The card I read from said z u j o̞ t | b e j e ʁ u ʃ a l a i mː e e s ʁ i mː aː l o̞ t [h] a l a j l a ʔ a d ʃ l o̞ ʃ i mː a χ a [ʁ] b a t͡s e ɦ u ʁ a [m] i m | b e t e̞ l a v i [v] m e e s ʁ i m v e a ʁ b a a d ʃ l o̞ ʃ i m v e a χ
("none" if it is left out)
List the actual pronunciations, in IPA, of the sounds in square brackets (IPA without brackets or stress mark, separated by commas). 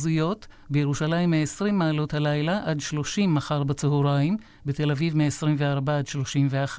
h, ʁ, none, v